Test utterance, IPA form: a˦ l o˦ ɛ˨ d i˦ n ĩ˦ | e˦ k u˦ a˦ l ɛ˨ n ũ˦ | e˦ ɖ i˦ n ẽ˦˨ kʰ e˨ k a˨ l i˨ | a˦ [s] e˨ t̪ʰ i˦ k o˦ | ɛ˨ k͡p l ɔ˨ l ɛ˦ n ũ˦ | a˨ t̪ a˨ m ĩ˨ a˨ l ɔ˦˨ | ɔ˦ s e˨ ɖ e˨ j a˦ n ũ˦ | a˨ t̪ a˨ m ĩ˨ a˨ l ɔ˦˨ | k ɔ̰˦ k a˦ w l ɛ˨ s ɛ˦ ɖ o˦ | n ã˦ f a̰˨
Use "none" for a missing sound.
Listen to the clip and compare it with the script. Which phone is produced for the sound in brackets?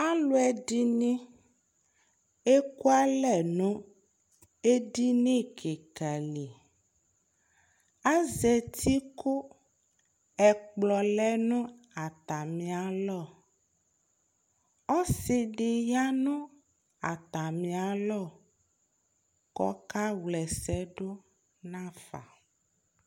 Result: z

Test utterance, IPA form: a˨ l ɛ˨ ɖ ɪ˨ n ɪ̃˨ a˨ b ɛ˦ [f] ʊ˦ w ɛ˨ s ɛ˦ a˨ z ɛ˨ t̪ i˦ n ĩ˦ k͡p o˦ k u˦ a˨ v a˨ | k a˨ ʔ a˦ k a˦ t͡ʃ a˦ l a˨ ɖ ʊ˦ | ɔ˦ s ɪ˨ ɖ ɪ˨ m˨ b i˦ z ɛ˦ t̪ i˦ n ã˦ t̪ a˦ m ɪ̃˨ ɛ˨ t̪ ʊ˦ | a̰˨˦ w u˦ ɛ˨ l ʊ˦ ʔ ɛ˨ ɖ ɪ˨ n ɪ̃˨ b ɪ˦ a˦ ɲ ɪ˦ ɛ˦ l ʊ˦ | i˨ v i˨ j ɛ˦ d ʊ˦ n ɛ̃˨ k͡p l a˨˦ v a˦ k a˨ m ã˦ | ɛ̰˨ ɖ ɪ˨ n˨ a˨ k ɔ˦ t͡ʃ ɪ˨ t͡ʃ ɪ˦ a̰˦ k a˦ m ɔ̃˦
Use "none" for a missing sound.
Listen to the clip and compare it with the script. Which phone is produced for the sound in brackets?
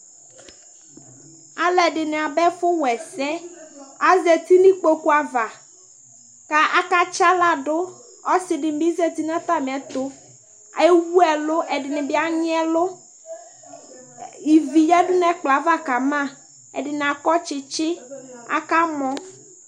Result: f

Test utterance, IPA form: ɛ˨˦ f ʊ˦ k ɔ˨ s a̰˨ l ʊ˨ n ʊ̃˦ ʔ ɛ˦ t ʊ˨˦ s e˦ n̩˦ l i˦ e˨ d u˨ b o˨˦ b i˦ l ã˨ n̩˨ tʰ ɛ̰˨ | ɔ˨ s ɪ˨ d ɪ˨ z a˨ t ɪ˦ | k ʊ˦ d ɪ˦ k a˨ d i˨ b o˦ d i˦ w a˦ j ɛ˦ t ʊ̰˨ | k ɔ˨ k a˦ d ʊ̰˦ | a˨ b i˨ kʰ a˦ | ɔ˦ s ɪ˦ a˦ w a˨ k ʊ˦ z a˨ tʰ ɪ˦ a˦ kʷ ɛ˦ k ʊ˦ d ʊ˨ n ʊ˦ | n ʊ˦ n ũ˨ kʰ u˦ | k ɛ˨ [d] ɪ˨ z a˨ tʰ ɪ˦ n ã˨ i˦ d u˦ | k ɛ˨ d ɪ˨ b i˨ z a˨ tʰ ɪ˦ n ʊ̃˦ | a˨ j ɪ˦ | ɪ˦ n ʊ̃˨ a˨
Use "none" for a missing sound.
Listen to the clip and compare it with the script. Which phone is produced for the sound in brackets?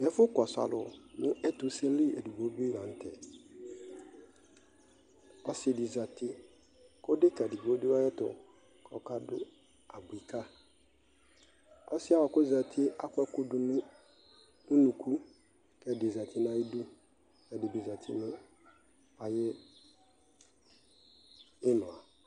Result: d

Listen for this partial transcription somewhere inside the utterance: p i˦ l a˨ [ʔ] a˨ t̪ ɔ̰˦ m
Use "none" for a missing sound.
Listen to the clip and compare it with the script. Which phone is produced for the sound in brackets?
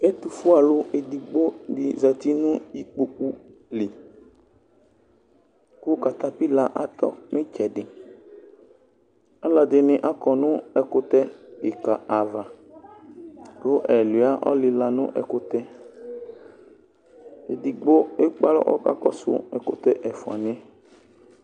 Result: ʔ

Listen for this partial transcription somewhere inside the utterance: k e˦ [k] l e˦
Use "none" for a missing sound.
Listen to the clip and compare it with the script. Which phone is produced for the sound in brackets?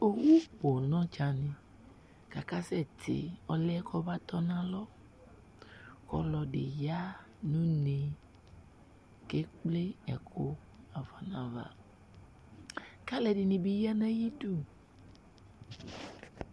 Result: k͡p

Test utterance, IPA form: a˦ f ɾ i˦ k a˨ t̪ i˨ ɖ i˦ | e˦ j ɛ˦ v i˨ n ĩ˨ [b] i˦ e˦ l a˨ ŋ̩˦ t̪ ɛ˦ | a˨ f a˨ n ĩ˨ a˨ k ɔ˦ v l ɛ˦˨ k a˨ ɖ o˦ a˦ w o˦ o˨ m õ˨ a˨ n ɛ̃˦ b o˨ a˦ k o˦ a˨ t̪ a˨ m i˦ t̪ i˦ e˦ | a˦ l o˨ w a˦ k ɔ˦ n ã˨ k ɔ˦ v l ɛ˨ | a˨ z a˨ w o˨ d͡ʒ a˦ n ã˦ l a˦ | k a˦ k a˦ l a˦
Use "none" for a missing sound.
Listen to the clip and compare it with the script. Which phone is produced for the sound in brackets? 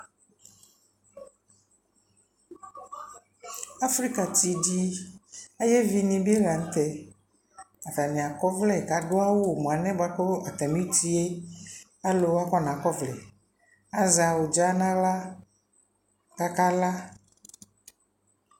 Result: b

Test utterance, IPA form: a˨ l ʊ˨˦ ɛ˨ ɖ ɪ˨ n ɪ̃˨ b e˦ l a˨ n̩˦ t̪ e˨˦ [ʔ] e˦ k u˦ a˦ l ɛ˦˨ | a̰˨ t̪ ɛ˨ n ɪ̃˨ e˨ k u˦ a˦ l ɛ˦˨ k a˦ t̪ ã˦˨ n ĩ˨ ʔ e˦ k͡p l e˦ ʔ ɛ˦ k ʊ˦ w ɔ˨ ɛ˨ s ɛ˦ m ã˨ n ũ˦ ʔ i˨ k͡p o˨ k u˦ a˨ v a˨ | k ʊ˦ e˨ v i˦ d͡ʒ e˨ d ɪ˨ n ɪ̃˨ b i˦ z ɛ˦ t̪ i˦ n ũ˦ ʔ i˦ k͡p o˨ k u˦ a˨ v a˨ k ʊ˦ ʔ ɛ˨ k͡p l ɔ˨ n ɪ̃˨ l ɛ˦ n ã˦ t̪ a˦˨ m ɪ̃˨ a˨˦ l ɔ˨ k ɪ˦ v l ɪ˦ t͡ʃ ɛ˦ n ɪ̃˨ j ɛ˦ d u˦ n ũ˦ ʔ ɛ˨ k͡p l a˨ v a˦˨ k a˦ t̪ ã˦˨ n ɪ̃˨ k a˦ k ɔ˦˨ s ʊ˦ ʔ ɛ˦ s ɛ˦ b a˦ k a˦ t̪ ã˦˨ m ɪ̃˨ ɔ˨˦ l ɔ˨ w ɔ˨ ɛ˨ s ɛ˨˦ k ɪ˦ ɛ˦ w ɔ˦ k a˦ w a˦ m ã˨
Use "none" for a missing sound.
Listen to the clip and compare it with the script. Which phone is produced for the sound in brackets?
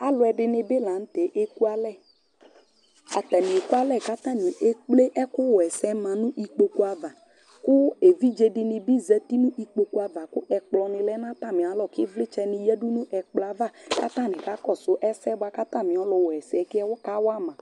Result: ʔ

